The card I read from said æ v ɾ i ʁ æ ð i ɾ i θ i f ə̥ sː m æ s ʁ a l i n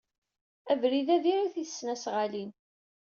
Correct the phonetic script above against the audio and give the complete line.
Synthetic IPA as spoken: æ v ɾ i ð æ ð i ɾ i θ i θ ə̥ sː n æ s ʁ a l i n